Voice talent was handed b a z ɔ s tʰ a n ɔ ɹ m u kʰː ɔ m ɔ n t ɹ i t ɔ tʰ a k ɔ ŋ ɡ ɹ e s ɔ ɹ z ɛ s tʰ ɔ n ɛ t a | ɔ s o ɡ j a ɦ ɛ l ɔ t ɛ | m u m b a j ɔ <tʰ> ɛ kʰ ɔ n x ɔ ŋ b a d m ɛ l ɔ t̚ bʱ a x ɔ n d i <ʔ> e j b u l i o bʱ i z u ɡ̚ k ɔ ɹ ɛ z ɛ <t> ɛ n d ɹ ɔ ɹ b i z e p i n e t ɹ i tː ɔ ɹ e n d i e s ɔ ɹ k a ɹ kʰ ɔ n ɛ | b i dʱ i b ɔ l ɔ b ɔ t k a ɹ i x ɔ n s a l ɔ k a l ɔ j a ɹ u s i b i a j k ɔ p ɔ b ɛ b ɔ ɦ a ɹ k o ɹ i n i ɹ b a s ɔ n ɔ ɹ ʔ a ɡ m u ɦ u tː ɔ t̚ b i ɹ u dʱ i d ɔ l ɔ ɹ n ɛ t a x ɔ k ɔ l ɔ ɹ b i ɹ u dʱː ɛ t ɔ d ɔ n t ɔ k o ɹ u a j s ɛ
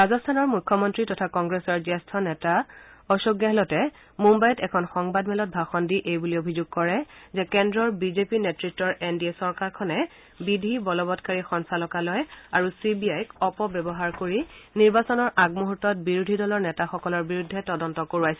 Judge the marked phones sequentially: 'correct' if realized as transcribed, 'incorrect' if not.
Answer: incorrect: t, correct, incorrect: k

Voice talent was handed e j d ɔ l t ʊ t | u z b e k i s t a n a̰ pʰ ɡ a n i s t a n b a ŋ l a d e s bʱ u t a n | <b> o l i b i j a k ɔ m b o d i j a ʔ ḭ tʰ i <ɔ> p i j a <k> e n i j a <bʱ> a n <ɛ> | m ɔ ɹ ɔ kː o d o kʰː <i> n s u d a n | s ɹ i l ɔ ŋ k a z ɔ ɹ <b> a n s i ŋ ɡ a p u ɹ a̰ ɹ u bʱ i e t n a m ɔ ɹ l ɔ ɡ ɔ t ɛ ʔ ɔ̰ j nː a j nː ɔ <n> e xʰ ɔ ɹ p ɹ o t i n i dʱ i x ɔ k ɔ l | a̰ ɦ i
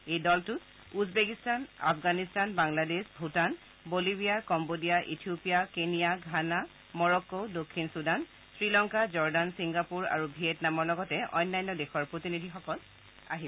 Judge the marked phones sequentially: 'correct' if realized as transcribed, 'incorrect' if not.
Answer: correct, incorrect: o, correct, incorrect: ɡʱ, incorrect: a, correct, incorrect: d, incorrect: d

